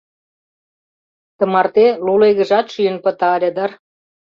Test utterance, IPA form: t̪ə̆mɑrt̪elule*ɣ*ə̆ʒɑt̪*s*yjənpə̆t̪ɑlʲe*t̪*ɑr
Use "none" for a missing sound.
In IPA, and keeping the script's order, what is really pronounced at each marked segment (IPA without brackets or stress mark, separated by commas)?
ɣ, ʃ, d̪